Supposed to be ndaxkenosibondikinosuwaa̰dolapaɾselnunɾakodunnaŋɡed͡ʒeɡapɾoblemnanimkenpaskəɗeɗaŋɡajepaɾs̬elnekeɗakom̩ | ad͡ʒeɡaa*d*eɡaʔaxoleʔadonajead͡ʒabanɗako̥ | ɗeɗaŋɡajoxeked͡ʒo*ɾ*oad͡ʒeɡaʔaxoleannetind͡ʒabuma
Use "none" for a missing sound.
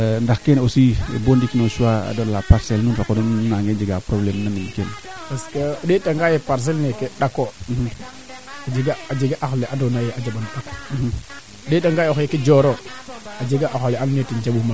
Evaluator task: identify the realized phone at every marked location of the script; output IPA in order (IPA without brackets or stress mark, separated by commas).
d͡ʒ, ɾ